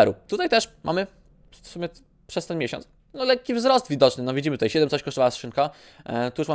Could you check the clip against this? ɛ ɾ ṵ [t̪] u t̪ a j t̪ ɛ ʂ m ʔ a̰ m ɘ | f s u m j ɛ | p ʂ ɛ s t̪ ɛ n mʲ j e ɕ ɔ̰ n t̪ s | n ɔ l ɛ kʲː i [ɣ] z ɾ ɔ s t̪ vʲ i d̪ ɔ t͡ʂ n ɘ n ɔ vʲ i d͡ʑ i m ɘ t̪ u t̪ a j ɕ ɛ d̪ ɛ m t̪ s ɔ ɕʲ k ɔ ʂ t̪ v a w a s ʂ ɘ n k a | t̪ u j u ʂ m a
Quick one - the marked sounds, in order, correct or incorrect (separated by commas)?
correct, incorrect